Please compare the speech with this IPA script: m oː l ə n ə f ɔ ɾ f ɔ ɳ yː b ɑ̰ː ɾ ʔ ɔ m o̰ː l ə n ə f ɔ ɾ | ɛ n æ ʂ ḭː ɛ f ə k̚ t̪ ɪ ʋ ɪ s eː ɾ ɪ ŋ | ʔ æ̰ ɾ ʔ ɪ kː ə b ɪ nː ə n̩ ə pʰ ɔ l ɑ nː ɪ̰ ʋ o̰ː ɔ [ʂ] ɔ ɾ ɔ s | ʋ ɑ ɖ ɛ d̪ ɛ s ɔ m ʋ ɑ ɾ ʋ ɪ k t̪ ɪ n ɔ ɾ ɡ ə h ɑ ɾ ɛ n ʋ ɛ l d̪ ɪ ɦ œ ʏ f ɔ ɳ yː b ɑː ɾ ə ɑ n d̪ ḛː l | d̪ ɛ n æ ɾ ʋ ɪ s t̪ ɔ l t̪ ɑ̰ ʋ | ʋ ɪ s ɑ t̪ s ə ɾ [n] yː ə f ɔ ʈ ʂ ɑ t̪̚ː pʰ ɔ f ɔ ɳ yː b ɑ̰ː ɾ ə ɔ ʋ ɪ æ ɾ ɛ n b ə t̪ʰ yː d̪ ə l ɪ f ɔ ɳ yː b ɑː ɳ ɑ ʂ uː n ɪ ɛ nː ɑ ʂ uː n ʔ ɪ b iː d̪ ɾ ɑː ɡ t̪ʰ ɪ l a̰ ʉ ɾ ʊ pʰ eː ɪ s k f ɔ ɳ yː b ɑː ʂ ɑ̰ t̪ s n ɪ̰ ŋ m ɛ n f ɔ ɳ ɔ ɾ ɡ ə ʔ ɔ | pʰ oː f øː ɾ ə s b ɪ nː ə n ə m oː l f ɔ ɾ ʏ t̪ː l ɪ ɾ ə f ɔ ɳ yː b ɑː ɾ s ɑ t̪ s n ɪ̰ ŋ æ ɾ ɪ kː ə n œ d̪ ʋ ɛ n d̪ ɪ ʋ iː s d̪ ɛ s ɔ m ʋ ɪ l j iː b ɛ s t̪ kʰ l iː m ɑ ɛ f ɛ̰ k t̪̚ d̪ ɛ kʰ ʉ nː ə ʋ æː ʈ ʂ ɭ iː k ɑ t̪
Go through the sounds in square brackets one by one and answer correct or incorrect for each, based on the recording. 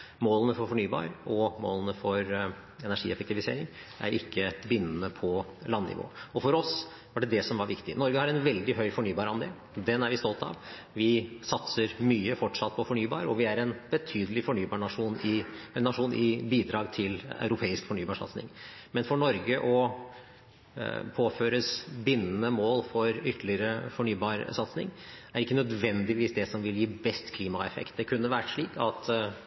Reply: incorrect: f, incorrect: m

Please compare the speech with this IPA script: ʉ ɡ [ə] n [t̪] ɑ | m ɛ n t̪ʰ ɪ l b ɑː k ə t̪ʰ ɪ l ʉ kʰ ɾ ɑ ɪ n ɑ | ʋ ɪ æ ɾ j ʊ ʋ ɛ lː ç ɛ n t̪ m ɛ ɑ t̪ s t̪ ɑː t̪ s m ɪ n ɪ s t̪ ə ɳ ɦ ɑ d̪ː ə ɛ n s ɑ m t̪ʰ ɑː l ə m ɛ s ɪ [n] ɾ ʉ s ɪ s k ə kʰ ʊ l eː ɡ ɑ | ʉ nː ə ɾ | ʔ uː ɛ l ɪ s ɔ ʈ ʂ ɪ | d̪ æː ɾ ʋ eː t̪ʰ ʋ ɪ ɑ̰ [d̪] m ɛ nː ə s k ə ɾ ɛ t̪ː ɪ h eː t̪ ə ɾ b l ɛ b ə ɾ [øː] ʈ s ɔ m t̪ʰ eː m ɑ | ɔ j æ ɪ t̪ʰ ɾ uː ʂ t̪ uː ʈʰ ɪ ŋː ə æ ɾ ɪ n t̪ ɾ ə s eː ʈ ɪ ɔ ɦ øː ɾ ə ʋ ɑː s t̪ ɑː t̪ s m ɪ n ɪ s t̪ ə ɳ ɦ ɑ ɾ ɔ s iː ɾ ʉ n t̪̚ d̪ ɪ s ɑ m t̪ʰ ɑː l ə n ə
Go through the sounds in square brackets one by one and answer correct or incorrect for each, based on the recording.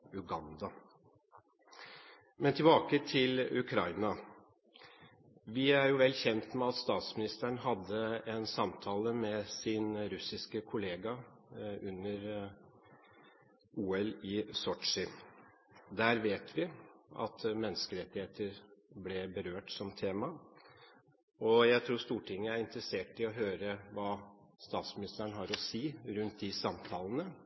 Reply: incorrect: ɑ, incorrect: d̪, correct, incorrect: t̪, correct

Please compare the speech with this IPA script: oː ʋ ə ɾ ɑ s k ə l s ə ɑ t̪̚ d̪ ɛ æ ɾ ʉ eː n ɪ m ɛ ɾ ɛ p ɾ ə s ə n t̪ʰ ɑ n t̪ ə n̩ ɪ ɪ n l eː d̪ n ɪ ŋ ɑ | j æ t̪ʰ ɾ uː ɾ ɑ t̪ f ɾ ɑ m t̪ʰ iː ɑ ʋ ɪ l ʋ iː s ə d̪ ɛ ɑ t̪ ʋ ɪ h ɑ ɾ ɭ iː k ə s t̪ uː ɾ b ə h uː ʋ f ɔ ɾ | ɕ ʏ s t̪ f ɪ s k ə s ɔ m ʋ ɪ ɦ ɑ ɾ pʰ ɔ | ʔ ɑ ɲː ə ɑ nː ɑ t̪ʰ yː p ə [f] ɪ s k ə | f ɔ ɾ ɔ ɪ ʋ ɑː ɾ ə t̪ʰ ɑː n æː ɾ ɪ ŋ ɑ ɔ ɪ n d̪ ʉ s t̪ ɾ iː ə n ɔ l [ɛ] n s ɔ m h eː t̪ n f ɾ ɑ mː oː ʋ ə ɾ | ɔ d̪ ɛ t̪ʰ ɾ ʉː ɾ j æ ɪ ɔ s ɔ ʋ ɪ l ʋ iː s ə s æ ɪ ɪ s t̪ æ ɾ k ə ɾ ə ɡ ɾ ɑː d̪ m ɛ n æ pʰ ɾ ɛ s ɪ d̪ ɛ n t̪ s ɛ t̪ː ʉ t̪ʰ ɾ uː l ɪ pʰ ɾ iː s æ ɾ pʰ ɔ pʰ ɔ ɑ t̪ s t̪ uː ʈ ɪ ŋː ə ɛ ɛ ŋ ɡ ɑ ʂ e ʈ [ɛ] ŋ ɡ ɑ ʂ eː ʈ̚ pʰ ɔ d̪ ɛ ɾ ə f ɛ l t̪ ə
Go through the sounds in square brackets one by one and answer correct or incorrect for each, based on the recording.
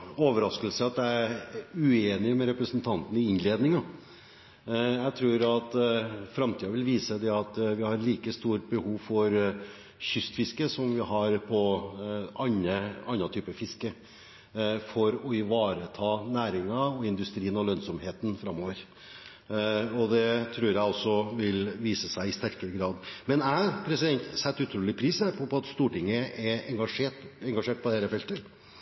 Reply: correct, incorrect: œ, correct

